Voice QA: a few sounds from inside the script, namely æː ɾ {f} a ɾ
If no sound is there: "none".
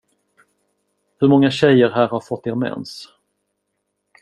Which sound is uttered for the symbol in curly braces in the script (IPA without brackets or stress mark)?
h